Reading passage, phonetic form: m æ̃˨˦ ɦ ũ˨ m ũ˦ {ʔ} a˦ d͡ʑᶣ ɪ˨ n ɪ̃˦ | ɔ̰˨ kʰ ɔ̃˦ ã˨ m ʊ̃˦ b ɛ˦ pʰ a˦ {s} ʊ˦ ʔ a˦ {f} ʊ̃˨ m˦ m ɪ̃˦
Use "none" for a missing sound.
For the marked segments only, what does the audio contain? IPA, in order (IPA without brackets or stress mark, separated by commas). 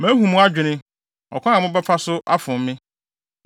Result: none, s, f